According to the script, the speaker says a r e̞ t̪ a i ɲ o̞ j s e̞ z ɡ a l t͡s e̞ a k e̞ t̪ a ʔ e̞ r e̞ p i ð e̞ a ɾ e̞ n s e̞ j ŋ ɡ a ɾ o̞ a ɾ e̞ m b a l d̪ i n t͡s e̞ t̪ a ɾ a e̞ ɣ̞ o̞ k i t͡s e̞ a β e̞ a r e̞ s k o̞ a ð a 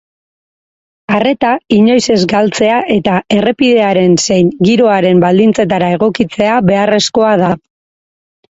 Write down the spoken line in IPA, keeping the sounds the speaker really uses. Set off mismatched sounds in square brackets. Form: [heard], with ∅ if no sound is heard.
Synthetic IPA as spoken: a r e̞ t̪ a i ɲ o̞ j s e̞ z ɡ a l t͡s e̞ a [ʔ] e̞ t̪ a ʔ e̞ r e̞ p i ð e̞ a ɾ e̞ n s e̞ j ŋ ɡ [i] ɾ o̞ a ɾ e̞ m b a l d̪ i n t͡s e̞ t̪ a ɾ a e̞ ɣ̞ o̞ k i t͡s e̞ a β e̞ a r e̞ s k o̞ a ð a